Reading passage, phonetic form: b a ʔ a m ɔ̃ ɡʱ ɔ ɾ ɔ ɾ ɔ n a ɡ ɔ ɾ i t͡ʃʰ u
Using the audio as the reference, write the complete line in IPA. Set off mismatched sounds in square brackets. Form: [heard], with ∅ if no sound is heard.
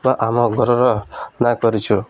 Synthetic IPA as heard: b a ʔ a m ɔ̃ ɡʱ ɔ ɾ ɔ ɾ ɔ n a [k] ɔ ɾ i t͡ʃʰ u